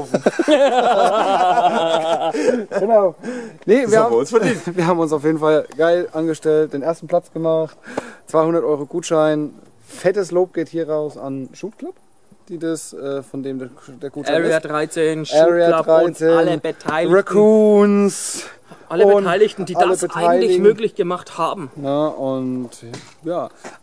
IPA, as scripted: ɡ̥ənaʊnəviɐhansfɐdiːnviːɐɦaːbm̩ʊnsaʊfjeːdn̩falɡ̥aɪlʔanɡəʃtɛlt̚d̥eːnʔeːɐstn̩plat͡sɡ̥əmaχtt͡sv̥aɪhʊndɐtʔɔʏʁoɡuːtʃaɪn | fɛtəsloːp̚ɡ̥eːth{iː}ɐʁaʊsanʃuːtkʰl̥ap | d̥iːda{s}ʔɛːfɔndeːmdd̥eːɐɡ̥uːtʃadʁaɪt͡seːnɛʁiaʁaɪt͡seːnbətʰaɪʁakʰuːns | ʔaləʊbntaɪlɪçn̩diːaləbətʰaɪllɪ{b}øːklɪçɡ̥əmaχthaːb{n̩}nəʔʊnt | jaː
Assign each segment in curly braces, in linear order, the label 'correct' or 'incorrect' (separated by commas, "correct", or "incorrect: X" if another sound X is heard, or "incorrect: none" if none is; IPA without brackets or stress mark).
correct, correct, incorrect: m, incorrect: m̩